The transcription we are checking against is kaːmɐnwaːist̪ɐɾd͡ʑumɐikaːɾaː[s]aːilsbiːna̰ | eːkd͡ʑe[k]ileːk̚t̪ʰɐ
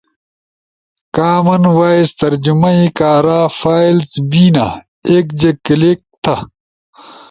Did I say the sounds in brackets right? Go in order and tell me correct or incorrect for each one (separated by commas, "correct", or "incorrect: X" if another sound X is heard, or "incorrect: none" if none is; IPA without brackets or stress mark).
incorrect: f, correct